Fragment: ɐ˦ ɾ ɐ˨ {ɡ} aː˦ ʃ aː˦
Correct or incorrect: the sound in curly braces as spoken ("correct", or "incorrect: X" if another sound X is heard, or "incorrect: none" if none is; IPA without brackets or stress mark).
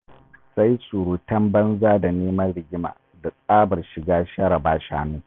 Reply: incorrect: b